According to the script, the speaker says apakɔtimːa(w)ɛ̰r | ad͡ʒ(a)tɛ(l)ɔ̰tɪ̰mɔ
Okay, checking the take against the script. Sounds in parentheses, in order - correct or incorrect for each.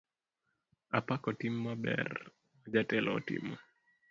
incorrect: b, correct, correct

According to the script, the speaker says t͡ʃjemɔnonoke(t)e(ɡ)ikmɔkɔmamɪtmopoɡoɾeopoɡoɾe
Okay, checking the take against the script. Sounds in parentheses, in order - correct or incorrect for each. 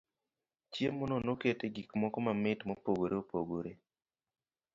correct, correct

